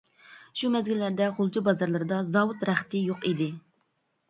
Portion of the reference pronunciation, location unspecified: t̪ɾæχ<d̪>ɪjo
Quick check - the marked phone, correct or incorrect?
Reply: incorrect